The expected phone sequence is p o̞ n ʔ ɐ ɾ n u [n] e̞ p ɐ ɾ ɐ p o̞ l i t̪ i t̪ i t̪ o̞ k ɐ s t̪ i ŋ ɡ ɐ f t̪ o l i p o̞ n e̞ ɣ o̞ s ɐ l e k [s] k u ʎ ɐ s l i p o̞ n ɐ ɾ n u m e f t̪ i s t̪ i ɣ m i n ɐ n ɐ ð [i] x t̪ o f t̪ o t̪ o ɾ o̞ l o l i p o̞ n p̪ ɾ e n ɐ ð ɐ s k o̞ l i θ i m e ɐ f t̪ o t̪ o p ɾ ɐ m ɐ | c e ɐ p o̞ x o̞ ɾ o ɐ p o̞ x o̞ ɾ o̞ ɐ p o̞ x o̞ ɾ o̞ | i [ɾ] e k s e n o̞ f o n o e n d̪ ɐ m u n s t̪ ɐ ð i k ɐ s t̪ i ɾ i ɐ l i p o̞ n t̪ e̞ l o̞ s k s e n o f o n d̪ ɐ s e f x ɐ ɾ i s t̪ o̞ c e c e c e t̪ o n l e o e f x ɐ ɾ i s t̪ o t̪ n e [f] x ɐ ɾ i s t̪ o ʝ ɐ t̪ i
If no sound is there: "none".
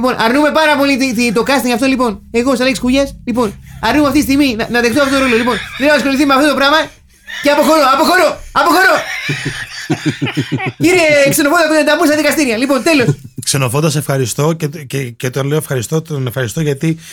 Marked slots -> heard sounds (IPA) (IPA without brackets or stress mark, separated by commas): m, s, e, ɾ, f